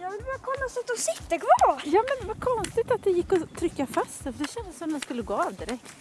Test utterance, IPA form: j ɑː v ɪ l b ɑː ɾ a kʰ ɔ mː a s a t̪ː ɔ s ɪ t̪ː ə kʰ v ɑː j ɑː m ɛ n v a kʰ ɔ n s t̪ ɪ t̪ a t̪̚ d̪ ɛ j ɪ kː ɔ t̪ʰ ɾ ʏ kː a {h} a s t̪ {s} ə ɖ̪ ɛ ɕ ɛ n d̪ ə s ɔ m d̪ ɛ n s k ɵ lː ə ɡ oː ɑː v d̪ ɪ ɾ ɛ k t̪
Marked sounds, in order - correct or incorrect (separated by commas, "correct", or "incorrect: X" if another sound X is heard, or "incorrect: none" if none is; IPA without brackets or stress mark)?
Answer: incorrect: f, incorrect: f